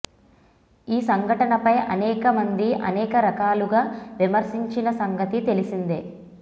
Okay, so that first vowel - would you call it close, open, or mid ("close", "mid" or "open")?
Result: close